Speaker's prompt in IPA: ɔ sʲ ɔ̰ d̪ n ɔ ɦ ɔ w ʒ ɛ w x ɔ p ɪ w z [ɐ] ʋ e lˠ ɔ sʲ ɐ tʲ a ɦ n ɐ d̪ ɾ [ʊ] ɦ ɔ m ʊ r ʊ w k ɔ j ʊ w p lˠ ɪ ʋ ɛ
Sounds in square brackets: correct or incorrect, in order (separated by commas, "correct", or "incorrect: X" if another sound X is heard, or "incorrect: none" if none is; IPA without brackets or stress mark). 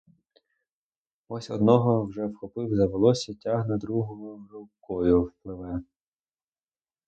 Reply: correct, incorrect: u